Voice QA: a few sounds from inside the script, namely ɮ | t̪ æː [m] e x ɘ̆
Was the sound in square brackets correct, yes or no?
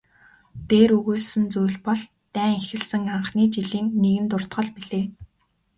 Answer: no